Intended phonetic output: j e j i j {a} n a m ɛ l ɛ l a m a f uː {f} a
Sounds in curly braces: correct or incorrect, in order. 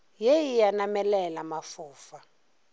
correct, correct

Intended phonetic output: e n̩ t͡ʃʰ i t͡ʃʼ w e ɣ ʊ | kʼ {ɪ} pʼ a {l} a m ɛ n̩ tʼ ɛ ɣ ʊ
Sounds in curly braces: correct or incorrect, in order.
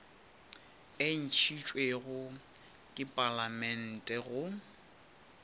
correct, correct

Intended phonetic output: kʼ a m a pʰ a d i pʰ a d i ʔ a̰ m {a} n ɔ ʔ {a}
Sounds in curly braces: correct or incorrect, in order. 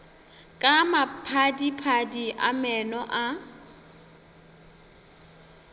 incorrect, correct

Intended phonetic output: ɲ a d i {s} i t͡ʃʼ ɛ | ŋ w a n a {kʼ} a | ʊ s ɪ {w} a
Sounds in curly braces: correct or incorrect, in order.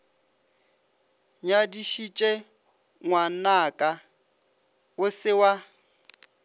incorrect, correct, correct

